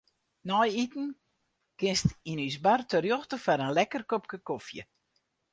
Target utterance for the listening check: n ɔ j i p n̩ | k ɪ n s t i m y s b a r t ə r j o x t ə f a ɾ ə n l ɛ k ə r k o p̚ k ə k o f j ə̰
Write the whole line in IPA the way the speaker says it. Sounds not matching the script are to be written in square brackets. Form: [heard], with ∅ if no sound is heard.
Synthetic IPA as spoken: n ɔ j i [t] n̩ | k ɪ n s t i [n] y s b a r t ə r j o x t ə f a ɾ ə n l ɛ k ə r k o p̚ k ə k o f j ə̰